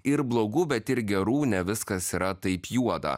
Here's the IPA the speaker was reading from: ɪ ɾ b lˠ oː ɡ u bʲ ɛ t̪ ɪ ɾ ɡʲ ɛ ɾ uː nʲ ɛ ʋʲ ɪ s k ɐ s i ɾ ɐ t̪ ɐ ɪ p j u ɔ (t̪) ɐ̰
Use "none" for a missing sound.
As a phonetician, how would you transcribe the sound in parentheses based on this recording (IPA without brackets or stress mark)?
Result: d̪